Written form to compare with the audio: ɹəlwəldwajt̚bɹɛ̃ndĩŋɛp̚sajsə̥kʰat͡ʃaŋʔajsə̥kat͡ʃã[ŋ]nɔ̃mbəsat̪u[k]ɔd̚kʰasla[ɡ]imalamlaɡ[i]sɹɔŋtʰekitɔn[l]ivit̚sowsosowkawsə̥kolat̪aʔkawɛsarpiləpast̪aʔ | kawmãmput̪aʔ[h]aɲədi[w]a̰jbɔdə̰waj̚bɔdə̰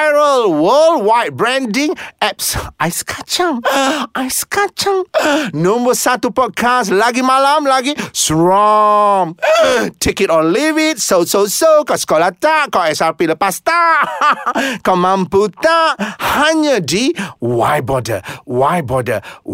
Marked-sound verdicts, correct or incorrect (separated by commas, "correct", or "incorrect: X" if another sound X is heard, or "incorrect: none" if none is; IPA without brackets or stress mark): correct, incorrect: p, correct, correct, correct, correct, correct